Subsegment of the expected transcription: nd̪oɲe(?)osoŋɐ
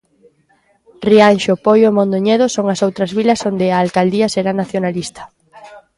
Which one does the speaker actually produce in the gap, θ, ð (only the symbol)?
ð